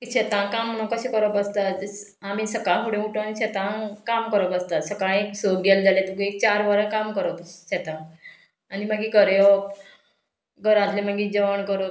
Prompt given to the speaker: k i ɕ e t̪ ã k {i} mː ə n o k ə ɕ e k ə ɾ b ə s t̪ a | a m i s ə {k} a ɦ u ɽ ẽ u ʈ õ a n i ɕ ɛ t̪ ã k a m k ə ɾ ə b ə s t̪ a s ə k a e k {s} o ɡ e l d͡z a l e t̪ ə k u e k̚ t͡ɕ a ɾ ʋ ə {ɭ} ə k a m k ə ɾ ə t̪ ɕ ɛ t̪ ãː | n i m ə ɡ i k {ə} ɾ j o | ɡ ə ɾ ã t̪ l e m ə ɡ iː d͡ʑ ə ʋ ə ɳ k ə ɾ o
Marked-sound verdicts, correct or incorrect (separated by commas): incorrect, correct, correct, incorrect, correct